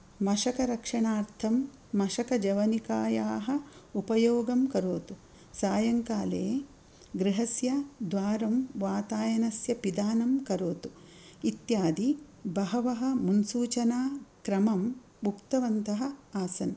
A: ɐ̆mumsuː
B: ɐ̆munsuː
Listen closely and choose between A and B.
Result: B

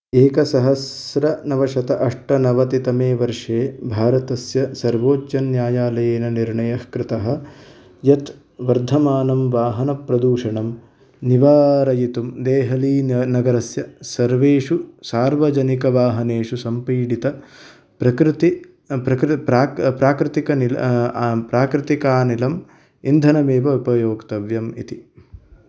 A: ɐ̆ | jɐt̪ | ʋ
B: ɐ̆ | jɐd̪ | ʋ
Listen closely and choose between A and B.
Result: A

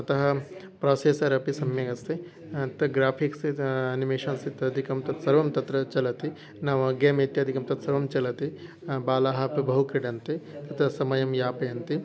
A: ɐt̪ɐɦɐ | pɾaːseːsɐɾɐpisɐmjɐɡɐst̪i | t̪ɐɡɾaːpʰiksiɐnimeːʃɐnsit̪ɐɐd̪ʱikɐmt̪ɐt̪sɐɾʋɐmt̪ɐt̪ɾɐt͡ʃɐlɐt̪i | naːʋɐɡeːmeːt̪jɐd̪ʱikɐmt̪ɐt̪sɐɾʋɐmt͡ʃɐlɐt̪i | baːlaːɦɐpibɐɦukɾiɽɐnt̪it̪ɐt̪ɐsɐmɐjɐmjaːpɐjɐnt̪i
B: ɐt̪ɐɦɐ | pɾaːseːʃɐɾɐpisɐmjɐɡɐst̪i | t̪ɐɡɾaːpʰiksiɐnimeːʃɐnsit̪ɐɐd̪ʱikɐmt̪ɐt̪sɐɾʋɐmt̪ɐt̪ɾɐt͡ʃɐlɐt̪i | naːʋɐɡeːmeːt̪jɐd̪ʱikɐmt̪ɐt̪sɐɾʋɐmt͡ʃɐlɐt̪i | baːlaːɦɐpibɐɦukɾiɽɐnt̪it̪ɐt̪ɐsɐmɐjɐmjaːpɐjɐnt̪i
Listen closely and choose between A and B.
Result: A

